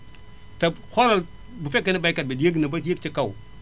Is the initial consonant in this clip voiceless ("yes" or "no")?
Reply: yes